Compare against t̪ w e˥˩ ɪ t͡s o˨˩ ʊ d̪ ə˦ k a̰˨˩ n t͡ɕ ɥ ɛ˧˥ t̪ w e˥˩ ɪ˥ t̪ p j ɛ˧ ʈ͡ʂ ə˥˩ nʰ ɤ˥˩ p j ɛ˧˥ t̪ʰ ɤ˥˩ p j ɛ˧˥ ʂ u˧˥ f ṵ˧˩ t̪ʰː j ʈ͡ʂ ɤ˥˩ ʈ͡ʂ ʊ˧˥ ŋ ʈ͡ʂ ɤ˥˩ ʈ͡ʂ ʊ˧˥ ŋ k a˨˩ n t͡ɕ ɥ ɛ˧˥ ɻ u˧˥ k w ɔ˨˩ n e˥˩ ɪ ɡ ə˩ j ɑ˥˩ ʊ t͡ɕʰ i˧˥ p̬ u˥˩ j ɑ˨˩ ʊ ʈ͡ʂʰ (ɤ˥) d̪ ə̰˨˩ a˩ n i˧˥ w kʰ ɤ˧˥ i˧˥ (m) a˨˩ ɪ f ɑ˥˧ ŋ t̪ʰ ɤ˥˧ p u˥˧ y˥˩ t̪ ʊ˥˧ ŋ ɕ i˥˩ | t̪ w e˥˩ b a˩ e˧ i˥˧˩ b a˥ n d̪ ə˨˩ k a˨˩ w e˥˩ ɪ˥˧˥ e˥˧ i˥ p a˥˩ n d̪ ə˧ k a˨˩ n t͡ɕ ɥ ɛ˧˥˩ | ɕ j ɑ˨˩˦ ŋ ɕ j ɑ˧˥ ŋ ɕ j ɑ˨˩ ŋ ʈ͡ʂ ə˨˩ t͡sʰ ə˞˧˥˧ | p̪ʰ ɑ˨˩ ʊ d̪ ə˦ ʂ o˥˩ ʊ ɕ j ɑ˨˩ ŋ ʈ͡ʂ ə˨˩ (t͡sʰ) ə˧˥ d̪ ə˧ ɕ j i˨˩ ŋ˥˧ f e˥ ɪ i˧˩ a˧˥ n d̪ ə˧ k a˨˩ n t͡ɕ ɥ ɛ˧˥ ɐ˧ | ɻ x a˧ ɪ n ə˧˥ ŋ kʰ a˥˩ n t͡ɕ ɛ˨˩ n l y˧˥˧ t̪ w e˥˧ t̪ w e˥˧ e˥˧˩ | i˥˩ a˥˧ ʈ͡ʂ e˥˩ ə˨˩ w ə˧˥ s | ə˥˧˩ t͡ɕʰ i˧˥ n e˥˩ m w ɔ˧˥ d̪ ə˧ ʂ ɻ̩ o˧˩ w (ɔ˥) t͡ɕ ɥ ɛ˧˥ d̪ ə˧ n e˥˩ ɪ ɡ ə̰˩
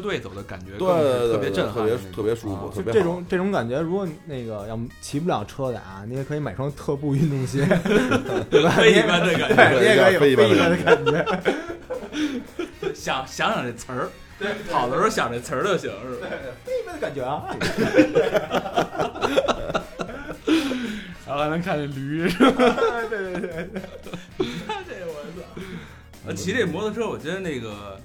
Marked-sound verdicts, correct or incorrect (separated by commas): correct, correct, correct, incorrect